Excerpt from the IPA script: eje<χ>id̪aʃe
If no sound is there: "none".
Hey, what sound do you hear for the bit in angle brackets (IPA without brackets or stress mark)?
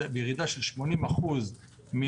ʁ